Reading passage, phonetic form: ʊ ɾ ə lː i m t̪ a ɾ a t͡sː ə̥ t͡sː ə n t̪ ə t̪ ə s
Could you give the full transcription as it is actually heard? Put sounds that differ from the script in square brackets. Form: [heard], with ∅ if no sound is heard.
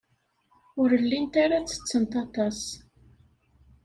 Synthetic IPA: ʊ ɾ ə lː i [n] t̪ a ɾ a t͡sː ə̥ t͡sː ə n t̪ [ɑ] t̪ [ɑ] s